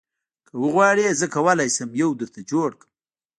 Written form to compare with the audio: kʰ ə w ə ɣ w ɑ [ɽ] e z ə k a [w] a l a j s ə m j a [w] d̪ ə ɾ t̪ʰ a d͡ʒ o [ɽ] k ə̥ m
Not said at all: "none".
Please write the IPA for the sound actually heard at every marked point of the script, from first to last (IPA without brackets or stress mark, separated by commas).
ɽ, w, w, ɽ